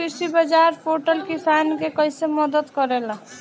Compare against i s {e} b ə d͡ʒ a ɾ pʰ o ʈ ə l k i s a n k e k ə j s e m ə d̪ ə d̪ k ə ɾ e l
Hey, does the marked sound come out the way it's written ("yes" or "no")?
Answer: no